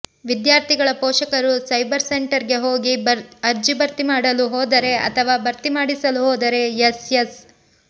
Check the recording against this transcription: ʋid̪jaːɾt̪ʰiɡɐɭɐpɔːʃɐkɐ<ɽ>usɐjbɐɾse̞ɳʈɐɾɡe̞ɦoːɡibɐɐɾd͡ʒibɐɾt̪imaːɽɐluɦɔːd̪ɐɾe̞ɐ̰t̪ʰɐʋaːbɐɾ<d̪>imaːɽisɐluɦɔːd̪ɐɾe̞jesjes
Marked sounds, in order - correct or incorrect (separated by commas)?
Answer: incorrect, incorrect